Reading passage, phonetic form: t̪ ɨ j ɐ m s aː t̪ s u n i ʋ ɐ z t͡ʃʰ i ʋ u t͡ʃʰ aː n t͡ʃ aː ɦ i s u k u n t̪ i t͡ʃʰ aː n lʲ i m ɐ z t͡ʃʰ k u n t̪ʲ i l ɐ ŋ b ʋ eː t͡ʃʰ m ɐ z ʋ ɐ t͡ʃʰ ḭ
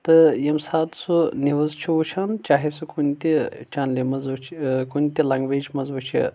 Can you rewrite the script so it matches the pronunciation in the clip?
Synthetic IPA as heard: t̪ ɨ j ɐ m s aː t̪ s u n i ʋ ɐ z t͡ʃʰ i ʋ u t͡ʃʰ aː n t͡ʃ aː ɦ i s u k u n t̪ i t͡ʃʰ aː n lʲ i m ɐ z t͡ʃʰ k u n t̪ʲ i l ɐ ŋ ɡ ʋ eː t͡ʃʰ m ɐ z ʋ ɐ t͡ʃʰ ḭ